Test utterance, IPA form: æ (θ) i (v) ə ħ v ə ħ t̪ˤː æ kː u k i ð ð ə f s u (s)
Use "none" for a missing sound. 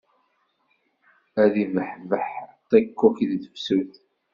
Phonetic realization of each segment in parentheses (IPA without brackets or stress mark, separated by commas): ð, v, θ